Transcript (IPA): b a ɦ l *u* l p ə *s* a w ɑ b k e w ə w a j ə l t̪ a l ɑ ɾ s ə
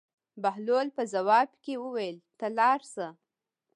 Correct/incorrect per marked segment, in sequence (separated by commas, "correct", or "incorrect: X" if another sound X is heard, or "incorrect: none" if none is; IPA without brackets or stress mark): incorrect: o, incorrect: z